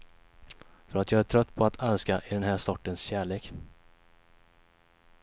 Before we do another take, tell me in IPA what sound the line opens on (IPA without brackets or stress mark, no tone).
f